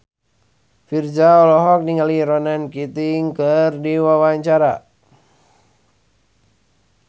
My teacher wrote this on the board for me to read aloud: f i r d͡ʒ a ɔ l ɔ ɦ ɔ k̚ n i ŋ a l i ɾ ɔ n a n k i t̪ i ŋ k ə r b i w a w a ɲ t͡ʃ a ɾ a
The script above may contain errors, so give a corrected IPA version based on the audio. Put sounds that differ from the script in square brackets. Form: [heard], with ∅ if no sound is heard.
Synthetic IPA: f i r d͡ʒ a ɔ l ɔ ɦ ɔ k̚ n i ŋ a l i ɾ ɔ n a n k i t̪ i ŋ k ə r [d] i w a w a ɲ t͡ʃ a ɾ a